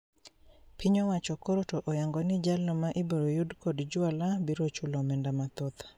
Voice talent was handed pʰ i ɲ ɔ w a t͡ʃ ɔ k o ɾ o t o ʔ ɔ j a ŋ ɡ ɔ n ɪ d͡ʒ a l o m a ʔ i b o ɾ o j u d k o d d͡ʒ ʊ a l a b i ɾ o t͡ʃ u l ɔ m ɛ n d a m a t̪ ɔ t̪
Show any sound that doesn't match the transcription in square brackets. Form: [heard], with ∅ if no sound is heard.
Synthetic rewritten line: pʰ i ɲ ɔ w a t͡ʃ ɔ k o ɾ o t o ʔ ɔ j a ŋ ɡ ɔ n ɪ d͡ʒ a l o m a ʔ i b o ɾ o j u d k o d d͡ʒ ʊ a l a b i ɾ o t͡ʃ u l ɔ m ɛ n d a m a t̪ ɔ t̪